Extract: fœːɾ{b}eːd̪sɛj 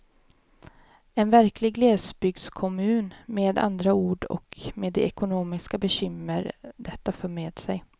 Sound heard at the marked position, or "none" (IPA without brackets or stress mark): m